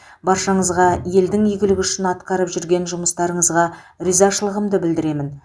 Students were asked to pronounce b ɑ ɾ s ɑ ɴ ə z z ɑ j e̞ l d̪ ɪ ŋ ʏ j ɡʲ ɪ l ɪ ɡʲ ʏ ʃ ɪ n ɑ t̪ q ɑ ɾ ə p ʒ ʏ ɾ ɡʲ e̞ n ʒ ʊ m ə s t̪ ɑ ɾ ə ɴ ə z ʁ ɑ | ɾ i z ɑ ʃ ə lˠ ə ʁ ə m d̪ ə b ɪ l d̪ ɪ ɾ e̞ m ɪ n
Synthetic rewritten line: b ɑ ɾ ʃ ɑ ɴ ə z ʁ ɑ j e̞ l d̪ ɪ ŋ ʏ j ɡʲ ɪ l ɪ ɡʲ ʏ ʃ ɪ n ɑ t̪ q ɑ ɾ ə p ʒ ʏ ɾ ɡʲ e̞ n ʒ ʊ m ə s t̪ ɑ ɾ ə ɴ ə z ʁ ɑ | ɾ i z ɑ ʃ ə lˠ ə ʁ ə m d̪ ə b ɪ l d̪ ɪ ɾ e̞ m ɪ n